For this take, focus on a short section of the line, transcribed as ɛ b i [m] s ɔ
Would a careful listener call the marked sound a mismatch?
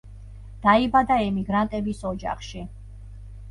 yes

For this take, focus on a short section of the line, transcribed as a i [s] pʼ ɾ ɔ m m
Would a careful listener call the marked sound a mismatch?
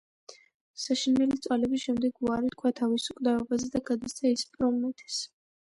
no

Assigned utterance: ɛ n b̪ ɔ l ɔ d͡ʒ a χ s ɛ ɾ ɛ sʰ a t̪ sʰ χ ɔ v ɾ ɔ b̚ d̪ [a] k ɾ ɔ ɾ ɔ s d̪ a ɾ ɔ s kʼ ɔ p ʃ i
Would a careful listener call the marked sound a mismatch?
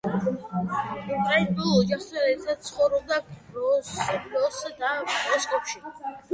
no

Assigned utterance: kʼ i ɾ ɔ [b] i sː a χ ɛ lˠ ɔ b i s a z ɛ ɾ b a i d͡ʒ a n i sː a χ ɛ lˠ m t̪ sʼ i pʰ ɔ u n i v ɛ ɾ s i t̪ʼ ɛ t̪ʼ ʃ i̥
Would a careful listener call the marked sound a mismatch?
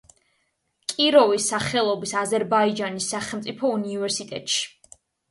yes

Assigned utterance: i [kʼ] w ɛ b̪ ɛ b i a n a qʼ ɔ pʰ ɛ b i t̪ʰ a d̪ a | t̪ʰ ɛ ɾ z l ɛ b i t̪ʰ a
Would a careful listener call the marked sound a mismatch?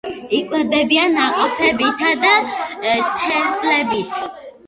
no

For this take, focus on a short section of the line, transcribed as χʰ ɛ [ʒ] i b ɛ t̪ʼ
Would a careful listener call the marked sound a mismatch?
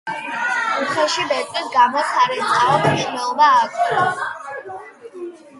yes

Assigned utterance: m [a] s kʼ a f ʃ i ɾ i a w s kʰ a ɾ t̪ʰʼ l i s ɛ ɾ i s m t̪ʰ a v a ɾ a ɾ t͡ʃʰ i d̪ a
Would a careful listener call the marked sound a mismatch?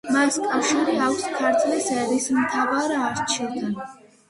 no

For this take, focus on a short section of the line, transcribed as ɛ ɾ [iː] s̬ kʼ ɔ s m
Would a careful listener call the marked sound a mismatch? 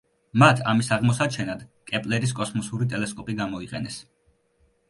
yes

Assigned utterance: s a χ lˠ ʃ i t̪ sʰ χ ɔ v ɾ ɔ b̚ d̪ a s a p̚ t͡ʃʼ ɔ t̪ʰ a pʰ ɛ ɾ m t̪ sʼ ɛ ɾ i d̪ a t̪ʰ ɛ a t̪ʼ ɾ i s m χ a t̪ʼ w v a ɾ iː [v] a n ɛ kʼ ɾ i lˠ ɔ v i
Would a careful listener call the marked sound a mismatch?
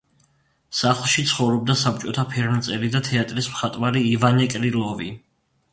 no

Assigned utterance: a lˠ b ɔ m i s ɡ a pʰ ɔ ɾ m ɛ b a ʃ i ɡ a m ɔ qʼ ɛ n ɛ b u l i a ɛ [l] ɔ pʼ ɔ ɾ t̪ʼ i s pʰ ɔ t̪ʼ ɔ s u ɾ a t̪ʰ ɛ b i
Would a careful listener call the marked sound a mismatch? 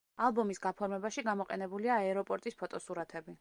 yes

